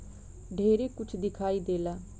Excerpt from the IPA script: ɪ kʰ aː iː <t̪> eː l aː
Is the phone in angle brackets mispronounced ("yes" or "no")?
yes